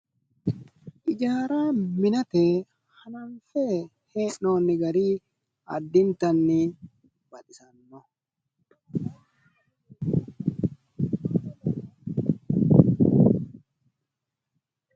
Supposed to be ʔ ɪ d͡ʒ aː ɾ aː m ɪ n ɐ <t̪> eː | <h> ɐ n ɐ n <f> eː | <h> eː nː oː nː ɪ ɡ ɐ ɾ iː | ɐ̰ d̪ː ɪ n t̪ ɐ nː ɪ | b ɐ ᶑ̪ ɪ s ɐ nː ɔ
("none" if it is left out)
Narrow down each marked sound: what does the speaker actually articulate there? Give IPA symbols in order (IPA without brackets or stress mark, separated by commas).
t̪, h, f, h